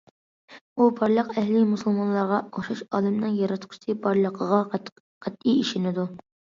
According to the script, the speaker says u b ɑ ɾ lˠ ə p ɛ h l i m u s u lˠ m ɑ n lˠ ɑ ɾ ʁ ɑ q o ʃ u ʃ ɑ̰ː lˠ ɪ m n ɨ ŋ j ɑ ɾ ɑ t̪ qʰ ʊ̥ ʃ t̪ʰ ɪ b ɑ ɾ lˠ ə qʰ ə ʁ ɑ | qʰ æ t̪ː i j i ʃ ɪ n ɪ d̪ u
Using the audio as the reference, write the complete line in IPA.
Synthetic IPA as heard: u b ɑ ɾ lˠ ə q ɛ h l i m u s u lˠ m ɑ n lˠ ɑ ɾ ʁ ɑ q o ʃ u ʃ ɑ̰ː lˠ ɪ m n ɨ ŋ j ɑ ɾ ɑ t̪ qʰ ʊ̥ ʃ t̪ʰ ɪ b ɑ ɾ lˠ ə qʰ ə ʁ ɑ | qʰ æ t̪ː i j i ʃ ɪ n ɪ d̪ u